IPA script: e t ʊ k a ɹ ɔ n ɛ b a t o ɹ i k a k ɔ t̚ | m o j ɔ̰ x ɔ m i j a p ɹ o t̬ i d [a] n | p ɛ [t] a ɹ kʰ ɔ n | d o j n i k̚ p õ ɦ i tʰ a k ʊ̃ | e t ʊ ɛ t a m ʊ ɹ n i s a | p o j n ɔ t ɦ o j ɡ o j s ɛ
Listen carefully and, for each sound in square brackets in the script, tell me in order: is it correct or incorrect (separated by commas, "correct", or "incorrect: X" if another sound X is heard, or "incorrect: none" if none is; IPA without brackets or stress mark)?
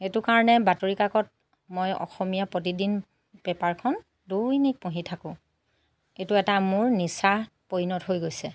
incorrect: i, incorrect: p